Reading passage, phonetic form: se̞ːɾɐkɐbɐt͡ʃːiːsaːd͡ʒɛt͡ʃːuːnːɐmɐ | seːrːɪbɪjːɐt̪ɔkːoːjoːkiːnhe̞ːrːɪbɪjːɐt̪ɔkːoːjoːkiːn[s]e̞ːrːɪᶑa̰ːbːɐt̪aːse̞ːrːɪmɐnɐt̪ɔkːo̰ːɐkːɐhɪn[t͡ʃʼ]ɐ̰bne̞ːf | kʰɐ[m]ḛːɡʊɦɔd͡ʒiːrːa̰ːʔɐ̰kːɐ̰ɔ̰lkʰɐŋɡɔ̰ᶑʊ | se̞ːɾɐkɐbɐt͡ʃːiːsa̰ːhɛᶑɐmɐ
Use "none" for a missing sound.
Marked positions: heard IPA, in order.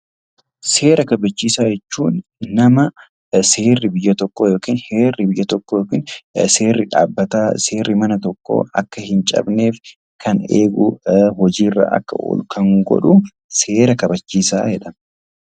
s, t͡ʃʼ, n

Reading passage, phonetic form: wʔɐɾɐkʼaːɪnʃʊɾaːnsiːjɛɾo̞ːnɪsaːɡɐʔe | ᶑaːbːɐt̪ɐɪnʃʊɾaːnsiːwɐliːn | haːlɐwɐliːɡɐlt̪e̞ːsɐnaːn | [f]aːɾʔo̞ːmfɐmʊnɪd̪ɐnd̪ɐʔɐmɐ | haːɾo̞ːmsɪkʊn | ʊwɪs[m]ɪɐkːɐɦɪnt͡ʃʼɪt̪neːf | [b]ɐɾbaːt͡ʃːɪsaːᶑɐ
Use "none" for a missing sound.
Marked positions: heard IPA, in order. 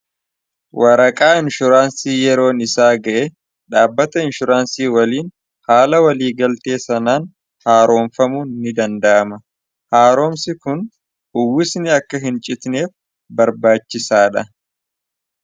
h, n, b

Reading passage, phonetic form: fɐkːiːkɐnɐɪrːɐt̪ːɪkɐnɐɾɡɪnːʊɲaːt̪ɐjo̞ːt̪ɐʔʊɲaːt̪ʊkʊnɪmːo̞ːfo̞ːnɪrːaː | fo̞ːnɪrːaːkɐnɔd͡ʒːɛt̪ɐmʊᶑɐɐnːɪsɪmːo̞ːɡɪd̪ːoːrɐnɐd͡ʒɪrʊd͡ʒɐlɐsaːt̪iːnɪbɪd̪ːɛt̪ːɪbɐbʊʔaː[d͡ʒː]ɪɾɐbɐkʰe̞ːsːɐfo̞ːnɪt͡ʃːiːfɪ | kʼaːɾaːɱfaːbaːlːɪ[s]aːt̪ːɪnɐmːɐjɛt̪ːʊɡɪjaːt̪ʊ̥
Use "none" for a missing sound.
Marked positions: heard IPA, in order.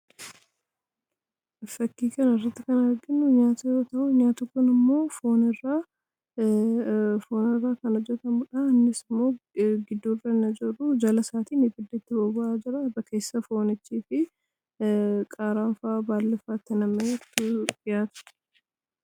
d͡ʒ, f

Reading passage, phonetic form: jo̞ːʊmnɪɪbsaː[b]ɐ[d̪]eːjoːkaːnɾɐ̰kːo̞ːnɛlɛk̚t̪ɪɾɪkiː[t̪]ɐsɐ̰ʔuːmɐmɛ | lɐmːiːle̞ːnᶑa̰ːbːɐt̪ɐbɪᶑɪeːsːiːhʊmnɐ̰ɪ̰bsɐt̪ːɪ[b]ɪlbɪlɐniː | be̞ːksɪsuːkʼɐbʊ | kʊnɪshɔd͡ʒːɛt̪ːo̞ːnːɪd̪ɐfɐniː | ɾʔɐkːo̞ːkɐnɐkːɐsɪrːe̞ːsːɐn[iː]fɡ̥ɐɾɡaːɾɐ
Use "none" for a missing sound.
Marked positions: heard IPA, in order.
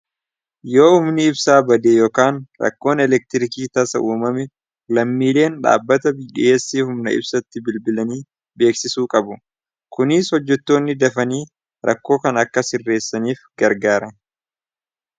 b, d̪, t̪, b, iː

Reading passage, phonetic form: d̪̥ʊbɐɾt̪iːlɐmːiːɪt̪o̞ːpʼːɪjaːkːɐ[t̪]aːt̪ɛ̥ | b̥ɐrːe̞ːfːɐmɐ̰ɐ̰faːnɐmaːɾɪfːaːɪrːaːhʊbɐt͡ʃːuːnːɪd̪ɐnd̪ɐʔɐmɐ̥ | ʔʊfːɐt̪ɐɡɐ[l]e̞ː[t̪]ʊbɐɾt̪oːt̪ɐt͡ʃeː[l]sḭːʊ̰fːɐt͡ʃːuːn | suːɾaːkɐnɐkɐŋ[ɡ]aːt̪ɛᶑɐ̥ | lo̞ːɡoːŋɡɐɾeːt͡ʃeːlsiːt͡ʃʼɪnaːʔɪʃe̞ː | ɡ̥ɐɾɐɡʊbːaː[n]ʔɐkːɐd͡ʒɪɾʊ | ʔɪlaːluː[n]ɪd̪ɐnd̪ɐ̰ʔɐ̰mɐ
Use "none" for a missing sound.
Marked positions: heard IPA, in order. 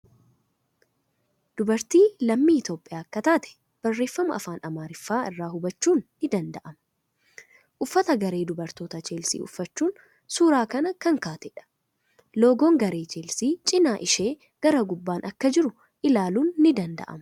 t̪, ɾ, d̪, l, k, n, nː

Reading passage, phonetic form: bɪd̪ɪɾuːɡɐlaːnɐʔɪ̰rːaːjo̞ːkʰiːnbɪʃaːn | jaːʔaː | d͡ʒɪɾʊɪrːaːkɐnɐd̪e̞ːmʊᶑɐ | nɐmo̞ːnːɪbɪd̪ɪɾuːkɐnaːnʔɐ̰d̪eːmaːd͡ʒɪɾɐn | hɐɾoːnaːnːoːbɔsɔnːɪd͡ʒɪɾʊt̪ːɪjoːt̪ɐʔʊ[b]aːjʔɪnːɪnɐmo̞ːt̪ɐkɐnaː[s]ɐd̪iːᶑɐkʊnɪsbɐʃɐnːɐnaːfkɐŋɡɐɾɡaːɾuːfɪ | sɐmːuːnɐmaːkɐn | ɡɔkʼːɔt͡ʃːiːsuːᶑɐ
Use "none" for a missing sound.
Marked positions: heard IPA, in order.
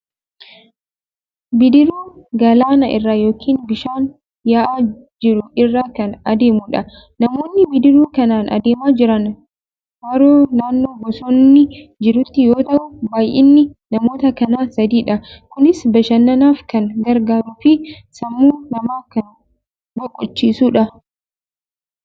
b, s

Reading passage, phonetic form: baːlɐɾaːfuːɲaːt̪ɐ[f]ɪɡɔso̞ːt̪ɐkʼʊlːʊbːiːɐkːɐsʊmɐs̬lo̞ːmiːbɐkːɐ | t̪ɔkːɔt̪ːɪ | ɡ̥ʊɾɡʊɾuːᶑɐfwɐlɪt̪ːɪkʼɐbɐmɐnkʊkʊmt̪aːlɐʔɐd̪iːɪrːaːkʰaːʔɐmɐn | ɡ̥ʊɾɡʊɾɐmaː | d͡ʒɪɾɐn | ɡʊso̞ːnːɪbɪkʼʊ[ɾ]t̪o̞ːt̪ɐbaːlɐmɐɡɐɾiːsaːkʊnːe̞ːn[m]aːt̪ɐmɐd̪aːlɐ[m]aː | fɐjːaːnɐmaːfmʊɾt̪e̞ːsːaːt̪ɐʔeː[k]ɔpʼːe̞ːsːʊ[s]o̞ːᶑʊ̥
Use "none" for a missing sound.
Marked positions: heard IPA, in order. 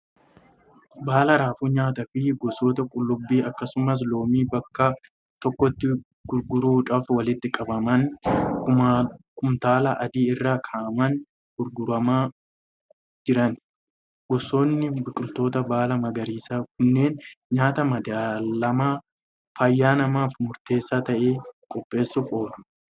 f, l, ɲ, m, kʼ, f

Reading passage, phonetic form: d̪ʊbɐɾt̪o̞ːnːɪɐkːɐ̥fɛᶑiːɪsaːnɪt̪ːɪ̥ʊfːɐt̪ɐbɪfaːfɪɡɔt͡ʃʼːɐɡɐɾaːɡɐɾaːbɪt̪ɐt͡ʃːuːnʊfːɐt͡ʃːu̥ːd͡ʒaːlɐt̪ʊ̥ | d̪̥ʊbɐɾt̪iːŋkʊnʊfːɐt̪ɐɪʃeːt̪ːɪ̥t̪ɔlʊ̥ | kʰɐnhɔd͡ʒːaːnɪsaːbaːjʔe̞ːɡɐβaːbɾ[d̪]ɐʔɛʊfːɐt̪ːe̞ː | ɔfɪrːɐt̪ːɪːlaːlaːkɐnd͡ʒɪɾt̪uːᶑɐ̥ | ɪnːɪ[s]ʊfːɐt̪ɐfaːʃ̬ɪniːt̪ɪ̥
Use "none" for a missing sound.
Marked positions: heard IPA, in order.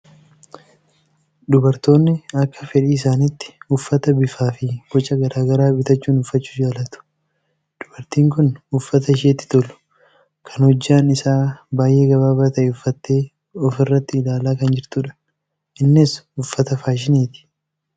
t̪, s

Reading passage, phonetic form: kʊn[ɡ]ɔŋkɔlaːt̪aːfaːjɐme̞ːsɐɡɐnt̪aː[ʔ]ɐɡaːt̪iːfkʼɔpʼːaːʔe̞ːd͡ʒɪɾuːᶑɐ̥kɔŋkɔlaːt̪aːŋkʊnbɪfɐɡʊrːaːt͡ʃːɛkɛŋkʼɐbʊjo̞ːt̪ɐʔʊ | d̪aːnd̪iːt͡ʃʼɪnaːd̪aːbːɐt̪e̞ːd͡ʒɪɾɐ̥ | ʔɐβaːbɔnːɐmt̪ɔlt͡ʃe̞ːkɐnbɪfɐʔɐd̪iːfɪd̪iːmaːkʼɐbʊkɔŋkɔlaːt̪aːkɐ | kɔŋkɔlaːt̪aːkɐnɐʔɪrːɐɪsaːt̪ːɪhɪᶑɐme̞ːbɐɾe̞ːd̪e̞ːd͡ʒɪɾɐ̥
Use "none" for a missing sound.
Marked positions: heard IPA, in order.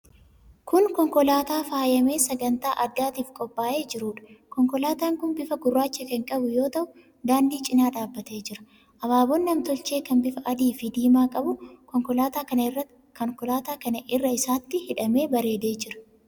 k, ʔ

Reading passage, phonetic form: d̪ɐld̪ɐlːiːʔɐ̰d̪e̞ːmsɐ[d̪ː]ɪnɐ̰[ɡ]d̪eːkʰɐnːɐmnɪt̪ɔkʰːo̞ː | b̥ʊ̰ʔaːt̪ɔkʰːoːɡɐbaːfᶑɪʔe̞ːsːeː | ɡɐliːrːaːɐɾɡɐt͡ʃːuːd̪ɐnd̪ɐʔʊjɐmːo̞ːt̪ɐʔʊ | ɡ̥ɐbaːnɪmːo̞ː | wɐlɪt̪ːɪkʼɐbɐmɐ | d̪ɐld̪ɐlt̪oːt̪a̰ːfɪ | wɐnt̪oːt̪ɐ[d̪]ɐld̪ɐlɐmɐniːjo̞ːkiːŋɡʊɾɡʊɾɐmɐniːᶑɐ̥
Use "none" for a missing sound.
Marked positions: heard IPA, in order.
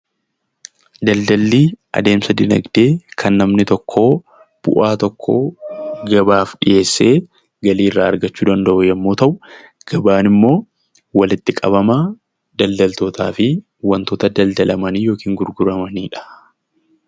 d̪, ɡ, d̪

